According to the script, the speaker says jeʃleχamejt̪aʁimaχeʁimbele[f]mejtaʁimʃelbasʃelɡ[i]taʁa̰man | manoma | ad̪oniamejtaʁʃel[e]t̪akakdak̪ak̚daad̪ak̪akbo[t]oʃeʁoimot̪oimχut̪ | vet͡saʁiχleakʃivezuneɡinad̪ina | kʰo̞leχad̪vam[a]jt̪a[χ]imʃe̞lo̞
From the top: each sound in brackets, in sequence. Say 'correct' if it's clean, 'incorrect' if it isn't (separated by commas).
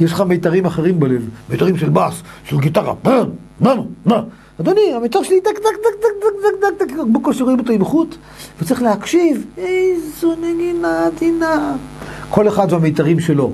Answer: incorrect, correct, incorrect, incorrect, incorrect, incorrect